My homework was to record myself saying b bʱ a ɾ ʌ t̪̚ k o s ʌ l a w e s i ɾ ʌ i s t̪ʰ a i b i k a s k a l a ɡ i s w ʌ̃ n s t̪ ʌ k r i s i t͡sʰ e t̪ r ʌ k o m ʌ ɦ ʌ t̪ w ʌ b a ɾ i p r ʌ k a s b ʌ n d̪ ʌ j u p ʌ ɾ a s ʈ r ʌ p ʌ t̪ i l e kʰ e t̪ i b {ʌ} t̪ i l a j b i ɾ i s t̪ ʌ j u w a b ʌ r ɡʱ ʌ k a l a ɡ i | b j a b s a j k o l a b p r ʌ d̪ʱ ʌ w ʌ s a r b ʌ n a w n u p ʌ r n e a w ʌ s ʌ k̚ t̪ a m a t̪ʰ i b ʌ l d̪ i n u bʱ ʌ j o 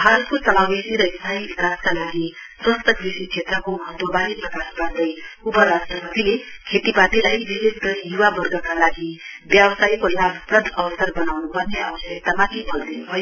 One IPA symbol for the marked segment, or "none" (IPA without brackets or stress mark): a